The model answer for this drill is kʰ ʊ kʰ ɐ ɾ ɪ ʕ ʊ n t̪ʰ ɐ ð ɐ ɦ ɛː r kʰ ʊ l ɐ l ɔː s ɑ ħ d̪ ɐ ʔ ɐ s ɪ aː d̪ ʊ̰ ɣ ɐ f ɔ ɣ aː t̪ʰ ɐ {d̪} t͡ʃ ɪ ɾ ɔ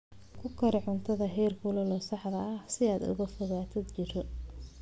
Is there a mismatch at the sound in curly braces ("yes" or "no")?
no